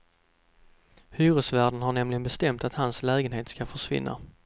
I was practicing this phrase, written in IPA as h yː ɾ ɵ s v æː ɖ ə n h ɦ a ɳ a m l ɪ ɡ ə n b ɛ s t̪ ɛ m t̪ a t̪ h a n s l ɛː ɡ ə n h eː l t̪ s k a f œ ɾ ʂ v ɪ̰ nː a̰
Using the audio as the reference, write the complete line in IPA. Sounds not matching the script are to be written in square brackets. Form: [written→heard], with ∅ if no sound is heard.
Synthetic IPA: h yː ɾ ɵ s v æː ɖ ə n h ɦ a ɳ [a→ɛ] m l ɪ ɡ ə n b ɛ s t̪ ɛ m t̪ a t̪ h a n s l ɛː ɡ ə n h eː [l→∅] t̪ s k a f œ [ɾ→∅] ʂ v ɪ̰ nː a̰